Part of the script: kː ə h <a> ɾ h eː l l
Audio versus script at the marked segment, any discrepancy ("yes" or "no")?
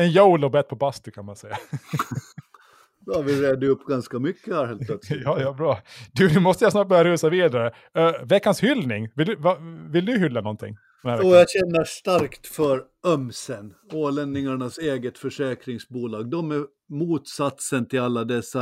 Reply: yes